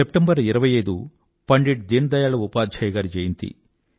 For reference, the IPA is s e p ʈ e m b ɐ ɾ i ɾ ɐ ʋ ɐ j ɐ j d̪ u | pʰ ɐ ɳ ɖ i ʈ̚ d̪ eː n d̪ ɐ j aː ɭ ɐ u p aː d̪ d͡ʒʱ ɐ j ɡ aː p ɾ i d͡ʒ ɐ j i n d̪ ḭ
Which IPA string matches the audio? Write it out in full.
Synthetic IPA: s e p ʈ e m b ɐ ɾ i ɾ ɐ ʋ ɐ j ɐ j d̪ u | p ɐ ɳ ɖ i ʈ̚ d̪ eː n d̪ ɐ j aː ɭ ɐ u p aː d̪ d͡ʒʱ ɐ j ɡ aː ɾ i d͡ʒ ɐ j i n t̪ ḭ